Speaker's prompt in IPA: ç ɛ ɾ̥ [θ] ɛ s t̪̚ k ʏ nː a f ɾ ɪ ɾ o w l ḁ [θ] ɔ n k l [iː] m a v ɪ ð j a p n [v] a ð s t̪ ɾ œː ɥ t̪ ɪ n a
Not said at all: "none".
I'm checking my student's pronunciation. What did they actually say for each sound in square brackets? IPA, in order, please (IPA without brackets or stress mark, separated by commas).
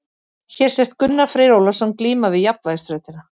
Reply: s, s, iː, v